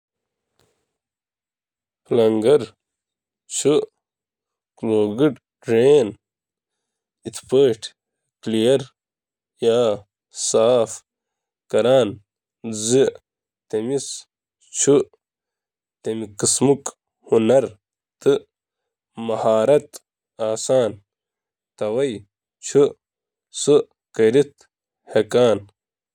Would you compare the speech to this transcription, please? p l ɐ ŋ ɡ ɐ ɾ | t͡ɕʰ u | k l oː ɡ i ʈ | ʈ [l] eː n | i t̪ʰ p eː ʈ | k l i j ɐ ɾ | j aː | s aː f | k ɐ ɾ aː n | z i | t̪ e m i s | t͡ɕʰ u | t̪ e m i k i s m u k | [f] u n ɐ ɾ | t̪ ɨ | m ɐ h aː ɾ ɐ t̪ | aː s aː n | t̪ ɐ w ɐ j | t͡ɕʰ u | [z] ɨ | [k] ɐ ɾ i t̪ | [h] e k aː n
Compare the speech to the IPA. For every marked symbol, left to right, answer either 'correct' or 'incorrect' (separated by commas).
incorrect, incorrect, incorrect, correct, correct